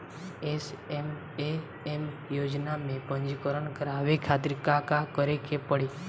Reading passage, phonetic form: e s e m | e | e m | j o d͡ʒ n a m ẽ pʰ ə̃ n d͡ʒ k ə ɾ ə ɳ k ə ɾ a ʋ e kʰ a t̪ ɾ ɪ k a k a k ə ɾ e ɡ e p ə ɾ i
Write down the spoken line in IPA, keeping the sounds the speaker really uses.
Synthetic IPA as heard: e s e m | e | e m | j o d͡ʒ n a m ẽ p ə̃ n d͡ʒ k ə ɾ ə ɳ k ə ɾ a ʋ e kʰ a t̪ ɾ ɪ k a k a k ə ɾ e k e p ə ɽ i